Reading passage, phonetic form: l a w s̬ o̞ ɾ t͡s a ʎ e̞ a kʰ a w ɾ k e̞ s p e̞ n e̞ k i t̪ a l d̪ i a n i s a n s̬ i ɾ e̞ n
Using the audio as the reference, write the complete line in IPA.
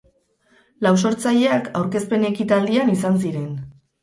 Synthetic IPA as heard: l a w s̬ o̞ ɾ t͡s a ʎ e̞ a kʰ a w ɾ k e̞ s p e̞ n e̞ k i t̪ a l d̪ i a n i s a n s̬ i ɾ e̞ n